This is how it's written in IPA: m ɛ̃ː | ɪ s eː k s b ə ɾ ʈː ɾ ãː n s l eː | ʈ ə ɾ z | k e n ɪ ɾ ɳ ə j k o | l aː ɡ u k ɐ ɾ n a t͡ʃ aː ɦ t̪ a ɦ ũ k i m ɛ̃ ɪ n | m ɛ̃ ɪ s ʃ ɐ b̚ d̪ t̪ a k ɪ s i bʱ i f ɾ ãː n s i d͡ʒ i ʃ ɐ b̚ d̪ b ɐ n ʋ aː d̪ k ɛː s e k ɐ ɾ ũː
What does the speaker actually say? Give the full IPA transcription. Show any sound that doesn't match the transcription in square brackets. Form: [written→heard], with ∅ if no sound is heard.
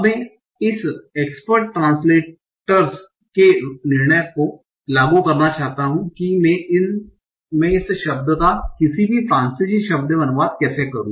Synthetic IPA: m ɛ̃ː | ɪ s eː k s [b→p] ə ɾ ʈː ɾ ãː n s l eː | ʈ ə ɾ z | k e n ɪ ɾ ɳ ə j k o | l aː ɡ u k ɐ ɾ n a t͡ʃ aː ɦ t̪ a ɦ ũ k i m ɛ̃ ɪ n | m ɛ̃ ɪ s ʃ ɐ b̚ d̪ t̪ a k ɪ s i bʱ i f ɾ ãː n s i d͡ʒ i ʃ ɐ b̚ d̪ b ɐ n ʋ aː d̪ k ɛː s e k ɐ ɾ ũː